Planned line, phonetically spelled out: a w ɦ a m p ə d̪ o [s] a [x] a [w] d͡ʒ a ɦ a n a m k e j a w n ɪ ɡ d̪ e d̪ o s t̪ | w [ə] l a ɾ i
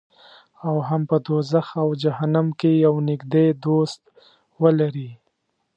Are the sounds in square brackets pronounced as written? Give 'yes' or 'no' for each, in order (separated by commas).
no, yes, yes, yes